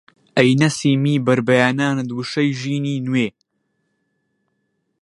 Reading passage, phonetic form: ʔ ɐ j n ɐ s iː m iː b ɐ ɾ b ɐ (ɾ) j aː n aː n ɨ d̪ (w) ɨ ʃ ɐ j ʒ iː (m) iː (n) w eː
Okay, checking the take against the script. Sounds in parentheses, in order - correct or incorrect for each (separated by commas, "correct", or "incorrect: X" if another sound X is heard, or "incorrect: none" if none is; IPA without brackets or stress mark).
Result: incorrect: none, correct, incorrect: n, correct